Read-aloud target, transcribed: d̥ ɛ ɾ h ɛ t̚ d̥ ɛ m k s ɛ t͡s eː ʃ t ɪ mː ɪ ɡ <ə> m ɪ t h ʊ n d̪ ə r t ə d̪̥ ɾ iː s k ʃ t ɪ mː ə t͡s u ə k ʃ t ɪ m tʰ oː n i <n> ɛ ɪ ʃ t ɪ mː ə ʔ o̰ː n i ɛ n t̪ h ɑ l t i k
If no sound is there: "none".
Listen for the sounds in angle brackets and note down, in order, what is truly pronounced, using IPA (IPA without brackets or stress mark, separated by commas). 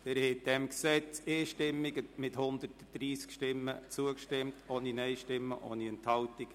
ə, n